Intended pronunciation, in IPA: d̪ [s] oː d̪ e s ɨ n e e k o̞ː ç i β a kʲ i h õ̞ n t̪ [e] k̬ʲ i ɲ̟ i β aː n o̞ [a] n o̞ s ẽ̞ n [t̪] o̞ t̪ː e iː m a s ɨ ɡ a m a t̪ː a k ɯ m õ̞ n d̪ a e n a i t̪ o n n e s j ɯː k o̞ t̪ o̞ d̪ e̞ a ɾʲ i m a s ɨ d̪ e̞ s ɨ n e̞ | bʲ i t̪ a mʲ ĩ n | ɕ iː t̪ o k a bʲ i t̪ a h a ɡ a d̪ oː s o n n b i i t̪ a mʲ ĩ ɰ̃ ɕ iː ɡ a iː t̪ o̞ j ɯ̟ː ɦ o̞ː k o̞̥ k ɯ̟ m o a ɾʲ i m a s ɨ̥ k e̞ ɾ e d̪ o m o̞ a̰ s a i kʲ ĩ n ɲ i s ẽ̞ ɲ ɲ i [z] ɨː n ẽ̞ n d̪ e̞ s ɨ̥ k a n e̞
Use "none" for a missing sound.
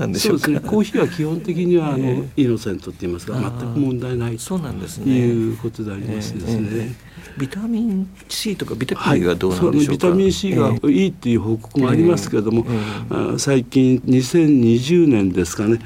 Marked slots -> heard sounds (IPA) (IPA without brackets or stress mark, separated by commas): s, e, i, t̪, ʑ